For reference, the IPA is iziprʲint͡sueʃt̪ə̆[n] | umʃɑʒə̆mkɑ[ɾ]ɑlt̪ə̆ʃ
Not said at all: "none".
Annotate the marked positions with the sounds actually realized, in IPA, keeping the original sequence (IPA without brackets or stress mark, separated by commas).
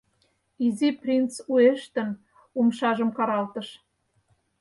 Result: n, ɾ